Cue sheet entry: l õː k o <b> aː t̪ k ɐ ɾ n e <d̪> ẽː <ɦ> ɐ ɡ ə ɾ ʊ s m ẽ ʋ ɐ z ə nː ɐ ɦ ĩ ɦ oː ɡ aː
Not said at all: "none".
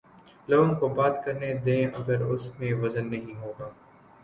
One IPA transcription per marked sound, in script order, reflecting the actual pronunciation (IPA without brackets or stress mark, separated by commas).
b, d̪, none